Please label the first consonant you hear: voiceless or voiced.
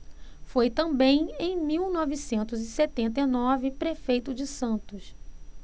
voiceless